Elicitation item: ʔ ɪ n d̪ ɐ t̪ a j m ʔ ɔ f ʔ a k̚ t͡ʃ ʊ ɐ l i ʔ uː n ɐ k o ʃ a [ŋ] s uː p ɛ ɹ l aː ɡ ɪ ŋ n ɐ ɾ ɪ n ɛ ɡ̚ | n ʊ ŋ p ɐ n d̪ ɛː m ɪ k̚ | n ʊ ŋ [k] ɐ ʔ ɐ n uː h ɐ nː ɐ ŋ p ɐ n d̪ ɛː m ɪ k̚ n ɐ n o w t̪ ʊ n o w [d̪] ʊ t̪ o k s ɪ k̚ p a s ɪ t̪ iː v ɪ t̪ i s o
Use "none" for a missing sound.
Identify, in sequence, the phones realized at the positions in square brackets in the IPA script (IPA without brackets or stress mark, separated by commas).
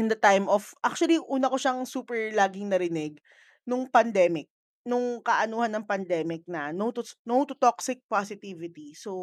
ŋ, k, t̪